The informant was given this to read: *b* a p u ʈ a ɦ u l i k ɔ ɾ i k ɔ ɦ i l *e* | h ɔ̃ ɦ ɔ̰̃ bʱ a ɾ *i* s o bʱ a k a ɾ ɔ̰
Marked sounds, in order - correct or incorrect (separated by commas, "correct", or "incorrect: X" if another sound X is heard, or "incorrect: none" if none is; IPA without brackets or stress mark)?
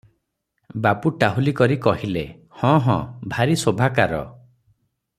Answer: correct, correct, correct